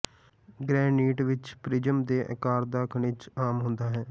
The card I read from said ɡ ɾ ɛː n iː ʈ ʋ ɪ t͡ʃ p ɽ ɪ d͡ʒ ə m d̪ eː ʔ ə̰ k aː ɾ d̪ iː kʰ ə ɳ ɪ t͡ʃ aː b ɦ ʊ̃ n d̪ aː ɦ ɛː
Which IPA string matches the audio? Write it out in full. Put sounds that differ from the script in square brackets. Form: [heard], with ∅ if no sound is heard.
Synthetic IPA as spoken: ɡ ɾ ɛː n iː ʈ ʋ ɪ t͡ʃ p [ɾ] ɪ d͡ʒ ə m d̪ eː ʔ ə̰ k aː ɾ d̪ [aː] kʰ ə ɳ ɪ t͡ʃ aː [m] ɦ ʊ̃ n d̪ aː ɦ ɛː